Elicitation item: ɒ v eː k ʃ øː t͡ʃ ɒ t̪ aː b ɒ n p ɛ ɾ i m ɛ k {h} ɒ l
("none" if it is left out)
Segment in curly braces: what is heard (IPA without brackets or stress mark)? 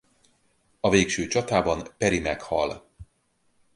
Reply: h